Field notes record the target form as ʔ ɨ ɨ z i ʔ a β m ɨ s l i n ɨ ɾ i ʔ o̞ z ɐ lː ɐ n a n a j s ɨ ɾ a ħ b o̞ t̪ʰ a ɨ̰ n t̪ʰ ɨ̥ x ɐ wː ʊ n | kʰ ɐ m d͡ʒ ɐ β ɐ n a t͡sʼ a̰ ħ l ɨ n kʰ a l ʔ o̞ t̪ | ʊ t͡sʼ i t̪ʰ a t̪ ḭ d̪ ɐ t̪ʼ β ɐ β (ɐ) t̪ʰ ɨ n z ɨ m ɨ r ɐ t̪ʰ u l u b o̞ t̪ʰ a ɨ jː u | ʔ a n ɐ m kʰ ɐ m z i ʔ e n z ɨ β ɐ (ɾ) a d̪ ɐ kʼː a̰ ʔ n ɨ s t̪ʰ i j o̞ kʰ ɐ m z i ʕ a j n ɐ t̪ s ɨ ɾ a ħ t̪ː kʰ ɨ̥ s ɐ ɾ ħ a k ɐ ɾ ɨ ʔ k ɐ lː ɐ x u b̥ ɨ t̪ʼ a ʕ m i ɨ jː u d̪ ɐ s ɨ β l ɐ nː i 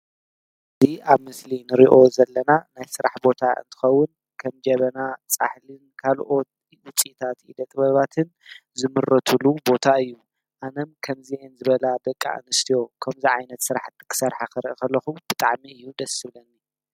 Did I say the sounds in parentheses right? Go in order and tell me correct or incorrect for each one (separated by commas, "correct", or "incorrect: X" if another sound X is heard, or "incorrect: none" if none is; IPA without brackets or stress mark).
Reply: incorrect: a, incorrect: l